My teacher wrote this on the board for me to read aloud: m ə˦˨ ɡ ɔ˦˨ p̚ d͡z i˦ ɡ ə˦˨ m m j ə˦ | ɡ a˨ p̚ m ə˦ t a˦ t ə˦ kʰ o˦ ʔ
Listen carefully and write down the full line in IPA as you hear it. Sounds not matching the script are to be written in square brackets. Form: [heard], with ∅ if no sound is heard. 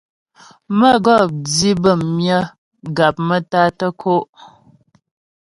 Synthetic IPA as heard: m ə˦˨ ɡ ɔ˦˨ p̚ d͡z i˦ [b] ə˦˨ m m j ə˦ | ɡ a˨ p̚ m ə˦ t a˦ t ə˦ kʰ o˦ ʔ

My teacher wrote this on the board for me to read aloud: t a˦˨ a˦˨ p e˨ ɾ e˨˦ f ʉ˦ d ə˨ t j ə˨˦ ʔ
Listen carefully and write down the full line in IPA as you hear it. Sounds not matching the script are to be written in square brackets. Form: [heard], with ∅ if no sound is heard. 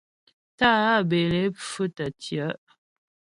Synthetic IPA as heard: t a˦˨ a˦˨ [b] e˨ [l] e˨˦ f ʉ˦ [t] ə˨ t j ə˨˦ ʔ

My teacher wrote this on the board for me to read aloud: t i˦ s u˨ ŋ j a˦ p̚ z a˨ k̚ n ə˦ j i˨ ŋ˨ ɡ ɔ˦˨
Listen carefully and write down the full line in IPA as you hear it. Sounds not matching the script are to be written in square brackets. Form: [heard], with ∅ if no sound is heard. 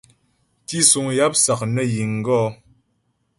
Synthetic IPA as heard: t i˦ s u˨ ŋ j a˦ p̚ [s] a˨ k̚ n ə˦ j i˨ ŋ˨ ɡ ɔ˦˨

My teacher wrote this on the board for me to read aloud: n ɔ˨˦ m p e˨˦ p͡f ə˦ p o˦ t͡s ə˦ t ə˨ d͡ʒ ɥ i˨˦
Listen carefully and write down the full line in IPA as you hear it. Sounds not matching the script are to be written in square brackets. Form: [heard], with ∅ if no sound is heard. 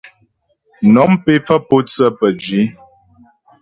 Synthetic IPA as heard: n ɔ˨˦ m p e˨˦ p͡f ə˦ p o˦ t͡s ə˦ [p] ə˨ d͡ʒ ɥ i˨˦

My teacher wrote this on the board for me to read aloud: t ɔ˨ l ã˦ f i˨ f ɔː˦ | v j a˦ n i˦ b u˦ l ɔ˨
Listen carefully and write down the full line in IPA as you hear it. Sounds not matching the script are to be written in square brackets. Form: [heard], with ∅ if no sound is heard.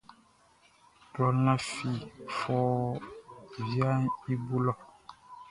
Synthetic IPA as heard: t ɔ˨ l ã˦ f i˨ f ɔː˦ | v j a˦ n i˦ b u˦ l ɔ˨

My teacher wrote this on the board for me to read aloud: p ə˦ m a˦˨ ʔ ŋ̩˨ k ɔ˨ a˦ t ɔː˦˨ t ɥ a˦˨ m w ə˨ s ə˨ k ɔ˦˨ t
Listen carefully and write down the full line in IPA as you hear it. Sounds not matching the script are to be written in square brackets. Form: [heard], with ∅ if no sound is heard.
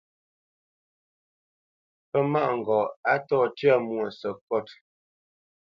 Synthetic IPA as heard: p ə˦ m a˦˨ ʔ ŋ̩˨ [ɡ] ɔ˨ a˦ t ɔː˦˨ t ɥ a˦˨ m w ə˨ s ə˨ k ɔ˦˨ t

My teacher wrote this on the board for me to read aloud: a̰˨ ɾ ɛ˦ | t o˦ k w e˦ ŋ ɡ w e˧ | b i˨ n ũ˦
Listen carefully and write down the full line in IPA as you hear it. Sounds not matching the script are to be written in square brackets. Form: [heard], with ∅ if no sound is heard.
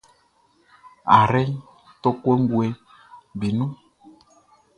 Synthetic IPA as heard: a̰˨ ɾ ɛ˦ | t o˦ k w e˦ ŋ ɡ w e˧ | b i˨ n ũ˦

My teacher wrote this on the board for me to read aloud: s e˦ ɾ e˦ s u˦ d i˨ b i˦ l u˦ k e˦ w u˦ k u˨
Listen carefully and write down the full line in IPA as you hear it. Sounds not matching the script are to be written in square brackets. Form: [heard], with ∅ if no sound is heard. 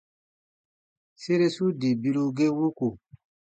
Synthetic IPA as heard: s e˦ ɾ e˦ s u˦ d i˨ b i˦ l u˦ [ɡ] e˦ w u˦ k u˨

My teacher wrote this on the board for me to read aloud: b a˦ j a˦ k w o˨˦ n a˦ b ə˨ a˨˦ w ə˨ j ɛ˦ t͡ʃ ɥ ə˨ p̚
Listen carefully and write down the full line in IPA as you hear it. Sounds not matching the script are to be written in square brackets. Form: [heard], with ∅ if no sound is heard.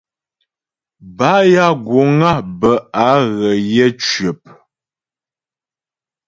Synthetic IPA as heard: b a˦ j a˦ [ɡ] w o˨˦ [ŋ] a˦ b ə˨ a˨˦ [ɣ] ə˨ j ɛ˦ t͡ʃ ɥ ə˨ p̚

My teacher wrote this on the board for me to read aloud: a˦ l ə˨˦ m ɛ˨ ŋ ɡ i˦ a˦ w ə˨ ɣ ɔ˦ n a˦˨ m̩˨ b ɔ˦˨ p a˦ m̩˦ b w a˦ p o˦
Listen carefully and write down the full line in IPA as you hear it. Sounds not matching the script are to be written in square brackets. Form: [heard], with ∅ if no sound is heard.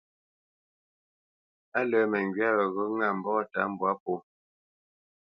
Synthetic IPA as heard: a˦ l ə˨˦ m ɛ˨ ŋ ɡ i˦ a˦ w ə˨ ɣ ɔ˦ [ŋ] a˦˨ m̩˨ b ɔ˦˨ [t] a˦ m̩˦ b w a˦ p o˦

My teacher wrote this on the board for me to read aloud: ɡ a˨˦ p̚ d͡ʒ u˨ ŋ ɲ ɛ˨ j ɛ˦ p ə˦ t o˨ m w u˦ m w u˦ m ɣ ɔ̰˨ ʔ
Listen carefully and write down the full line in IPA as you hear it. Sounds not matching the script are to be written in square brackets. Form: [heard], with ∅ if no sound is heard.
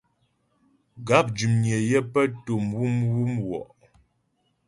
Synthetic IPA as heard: ɡ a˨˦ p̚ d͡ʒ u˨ [m] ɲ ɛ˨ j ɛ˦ p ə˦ t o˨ m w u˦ m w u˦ m [w] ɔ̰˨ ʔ

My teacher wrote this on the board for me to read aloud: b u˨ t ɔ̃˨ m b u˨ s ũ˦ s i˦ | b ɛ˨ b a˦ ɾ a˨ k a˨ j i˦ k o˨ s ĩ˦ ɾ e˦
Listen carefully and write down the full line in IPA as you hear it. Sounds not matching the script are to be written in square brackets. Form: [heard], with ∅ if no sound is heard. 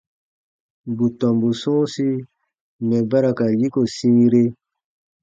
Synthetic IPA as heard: b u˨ t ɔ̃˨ m b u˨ s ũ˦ s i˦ | [m] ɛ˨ b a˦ ɾ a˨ k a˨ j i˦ k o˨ s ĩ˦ ɾ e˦

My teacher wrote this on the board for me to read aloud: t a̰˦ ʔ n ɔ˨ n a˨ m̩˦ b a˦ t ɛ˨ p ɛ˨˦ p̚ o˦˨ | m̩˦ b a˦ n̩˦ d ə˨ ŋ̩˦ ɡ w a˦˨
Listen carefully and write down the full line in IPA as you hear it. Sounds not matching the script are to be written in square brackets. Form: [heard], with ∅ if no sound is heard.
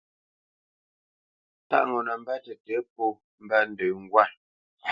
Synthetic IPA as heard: t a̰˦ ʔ [ŋ] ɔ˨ n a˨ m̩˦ b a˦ t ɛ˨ [t] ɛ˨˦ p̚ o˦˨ | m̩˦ b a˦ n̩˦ d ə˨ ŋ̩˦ ɡ w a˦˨

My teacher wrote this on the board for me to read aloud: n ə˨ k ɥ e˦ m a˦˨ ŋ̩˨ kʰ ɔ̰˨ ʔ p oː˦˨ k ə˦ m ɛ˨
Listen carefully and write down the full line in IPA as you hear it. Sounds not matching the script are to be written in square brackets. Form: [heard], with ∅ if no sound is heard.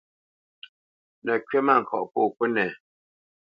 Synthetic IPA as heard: n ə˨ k ɥ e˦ m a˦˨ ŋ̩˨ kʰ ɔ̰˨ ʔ p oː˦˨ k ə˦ [n] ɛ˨

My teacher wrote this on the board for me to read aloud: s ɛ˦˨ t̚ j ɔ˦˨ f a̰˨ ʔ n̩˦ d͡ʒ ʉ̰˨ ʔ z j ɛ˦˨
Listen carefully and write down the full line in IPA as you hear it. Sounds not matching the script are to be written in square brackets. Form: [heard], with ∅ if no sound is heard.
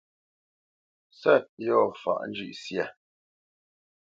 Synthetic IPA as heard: s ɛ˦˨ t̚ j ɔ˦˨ f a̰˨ ʔ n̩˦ d͡ʒ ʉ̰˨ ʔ [s] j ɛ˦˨

